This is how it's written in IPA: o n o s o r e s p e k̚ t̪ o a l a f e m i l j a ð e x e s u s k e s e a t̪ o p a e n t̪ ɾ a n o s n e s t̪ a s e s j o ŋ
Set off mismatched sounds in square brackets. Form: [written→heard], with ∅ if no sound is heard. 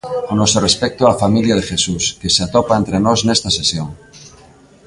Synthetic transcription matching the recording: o n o s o r e s p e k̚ t̪ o a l a f [e→a] m i l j a ð e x e s u s k e s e a t̪ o p a e n t̪ ɾ [a→e] n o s n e s t̪ a s e s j o ŋ